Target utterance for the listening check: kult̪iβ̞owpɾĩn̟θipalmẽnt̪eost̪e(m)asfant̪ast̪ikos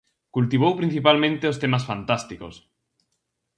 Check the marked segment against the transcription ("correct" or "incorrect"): correct